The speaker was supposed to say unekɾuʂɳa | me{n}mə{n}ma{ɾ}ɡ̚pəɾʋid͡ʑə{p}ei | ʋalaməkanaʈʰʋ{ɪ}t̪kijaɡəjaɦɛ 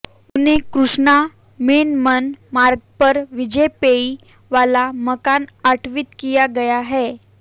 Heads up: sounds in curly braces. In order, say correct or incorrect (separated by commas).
correct, correct, correct, correct, incorrect